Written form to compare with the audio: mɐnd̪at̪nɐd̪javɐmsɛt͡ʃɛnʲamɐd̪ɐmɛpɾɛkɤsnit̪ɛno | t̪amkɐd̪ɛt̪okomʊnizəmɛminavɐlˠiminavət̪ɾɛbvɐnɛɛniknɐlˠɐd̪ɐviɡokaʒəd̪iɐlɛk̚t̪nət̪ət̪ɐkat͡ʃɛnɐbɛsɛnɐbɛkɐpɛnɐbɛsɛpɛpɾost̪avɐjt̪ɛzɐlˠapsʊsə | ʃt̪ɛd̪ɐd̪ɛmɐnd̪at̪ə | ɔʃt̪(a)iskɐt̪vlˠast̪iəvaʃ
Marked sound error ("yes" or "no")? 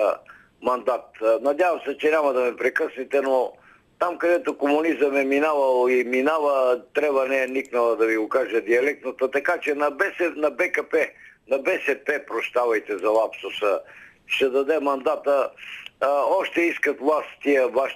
yes